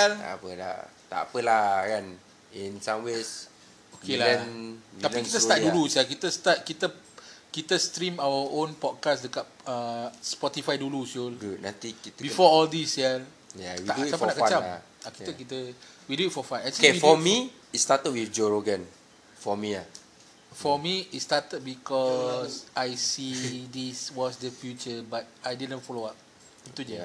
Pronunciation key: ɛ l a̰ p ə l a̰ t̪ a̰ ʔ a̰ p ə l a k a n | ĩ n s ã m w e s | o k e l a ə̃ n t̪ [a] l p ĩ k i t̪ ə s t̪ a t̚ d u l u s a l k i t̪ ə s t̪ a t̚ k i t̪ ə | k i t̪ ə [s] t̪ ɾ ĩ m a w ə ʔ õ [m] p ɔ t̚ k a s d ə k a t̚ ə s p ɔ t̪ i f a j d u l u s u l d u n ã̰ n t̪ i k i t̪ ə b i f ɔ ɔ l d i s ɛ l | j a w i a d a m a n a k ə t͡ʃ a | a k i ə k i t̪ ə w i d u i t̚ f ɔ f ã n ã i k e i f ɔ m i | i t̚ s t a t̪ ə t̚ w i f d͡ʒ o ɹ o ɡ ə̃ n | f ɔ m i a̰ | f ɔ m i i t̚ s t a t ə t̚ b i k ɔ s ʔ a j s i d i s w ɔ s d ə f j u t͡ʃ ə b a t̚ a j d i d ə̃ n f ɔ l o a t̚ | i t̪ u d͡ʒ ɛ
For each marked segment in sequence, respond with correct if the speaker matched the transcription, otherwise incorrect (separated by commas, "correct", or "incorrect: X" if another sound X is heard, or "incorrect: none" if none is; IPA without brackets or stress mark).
correct, correct, incorrect: n